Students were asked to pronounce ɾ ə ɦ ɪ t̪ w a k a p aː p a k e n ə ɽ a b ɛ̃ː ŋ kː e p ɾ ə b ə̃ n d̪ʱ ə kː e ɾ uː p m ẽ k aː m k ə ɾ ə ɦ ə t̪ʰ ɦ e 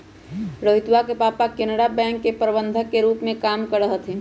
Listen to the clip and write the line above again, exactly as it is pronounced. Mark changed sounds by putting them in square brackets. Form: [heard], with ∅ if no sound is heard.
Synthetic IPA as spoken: ɾ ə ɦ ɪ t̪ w a k [e] p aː p a k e n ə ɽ a b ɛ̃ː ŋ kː e p ɾ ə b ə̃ n d̪ʱ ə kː e ɾ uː p m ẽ k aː m k ə ɾ ə ɦ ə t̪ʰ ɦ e